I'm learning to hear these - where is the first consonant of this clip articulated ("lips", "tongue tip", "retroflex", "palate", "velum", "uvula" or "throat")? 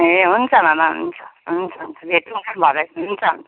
throat